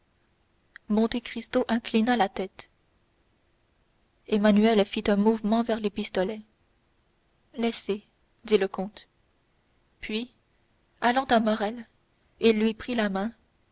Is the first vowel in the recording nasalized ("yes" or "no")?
yes